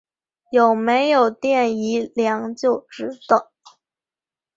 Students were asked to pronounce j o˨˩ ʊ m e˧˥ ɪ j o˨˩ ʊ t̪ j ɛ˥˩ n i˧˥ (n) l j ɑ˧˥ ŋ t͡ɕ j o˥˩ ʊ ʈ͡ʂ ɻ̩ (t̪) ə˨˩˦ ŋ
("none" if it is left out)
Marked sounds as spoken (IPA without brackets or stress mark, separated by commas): none, t̪